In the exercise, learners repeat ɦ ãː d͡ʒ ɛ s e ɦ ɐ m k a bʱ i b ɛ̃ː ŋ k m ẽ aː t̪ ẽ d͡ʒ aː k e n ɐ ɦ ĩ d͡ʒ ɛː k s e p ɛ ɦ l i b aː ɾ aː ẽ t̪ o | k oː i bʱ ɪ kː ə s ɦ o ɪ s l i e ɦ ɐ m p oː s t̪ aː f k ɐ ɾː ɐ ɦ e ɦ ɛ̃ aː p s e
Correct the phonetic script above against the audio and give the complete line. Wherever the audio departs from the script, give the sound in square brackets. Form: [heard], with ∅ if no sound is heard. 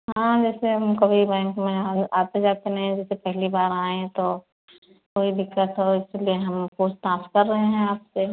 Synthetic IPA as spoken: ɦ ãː d͡ʒ [ɛː] s e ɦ ɐ m k [ɐ] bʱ i b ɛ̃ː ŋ k m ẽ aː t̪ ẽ d͡ʒ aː k e n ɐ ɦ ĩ d͡ʒ ɛː [∅] s e p ɛ ɦ l i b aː ɾ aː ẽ t̪ o | k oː i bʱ ɪ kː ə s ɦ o ɪ s l i e ɦ ɐ m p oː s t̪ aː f k ɐ ɾː ɐ ɦ e ɦ ɛ̃ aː p s e